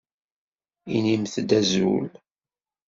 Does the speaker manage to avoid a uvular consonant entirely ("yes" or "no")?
yes